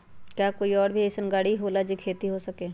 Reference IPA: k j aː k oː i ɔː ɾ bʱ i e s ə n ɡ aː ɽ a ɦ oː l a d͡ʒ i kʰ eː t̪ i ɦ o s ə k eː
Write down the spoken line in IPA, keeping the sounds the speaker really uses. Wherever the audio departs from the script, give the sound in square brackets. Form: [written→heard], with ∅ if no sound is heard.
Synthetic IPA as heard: k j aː k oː i ɔː ɾ bʱ i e s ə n ɡ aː ɽ [a→i] ɦ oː l a d͡ʒ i kʰ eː t̪ i ɦ o s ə k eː